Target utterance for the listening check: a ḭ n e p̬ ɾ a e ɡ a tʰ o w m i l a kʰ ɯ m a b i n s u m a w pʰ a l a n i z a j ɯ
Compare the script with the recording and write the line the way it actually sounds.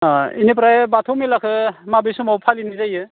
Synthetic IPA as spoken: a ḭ n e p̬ ɾ a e b a tʰ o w m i l a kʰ ɯ m a b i s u m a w pʰ a l i n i z a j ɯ